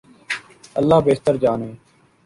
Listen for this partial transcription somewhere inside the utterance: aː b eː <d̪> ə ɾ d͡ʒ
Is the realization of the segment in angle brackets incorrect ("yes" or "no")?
yes